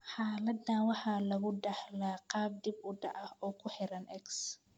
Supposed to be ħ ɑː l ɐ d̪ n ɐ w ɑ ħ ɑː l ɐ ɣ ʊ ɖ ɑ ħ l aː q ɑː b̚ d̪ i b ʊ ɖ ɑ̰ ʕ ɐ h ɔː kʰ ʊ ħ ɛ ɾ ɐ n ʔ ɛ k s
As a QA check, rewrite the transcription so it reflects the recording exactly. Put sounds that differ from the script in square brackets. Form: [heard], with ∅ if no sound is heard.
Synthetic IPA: ħ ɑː l ɐ d̪ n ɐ w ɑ ħ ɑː l ɐ ɣ ʊ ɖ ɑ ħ l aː q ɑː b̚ d̪ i b ʊ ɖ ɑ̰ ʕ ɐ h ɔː kʰ ʊ ħ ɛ ɾ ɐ n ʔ ɛ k s